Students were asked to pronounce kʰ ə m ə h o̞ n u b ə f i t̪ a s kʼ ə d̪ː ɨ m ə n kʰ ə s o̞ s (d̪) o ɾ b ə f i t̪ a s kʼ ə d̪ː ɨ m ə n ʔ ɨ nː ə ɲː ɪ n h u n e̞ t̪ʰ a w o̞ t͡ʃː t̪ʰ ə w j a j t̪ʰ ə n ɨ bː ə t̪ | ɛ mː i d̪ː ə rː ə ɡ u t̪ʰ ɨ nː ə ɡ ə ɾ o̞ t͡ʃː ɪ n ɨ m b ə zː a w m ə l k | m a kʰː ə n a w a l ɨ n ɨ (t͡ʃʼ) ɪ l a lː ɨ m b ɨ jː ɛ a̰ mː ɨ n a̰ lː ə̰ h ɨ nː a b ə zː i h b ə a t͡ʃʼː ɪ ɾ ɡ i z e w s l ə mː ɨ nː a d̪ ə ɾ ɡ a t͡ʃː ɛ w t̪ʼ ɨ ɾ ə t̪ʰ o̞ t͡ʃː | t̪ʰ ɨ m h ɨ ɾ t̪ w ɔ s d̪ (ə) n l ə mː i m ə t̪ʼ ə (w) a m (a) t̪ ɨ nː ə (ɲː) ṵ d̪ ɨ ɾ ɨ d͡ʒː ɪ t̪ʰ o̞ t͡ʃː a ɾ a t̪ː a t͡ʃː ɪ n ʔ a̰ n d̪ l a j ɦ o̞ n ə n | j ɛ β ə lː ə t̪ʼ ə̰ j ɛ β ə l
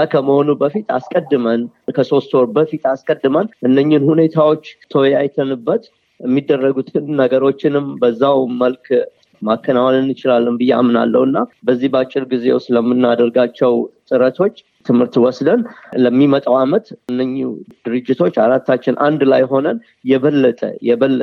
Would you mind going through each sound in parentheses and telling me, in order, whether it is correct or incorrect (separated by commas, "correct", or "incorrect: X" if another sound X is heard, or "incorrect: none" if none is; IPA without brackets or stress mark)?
incorrect: t̪, incorrect: t͡ʃ, correct, correct, incorrect: ə, correct